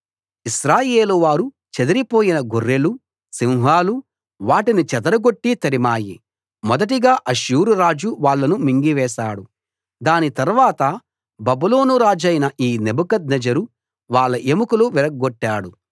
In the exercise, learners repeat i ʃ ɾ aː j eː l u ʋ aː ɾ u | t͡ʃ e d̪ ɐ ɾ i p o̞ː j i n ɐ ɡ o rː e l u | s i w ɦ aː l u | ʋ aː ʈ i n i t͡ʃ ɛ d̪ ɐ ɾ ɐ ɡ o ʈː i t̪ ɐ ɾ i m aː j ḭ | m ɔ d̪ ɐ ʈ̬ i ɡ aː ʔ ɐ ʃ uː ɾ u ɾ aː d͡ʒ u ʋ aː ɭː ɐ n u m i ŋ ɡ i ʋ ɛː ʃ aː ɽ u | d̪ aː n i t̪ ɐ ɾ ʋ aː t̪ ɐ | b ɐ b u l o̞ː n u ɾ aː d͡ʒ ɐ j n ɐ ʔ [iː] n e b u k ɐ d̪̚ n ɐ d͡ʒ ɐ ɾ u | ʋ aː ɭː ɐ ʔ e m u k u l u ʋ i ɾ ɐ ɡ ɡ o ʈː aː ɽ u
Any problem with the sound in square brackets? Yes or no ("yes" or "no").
no